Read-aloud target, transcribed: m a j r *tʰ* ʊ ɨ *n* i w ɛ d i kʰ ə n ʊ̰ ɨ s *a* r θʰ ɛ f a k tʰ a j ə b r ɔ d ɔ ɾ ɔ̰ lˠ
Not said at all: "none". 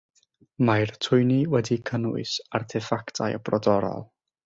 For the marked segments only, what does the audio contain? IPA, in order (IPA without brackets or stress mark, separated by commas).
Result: tʰ, n, a